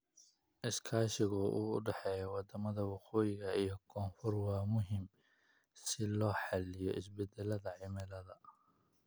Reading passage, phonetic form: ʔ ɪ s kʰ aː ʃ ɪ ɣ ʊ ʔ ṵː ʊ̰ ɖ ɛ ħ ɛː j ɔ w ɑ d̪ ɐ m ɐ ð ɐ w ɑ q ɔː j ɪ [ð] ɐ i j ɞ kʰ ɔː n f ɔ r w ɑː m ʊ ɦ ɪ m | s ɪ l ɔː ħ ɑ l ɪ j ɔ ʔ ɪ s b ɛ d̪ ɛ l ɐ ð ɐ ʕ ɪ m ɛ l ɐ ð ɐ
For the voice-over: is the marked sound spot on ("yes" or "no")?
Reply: no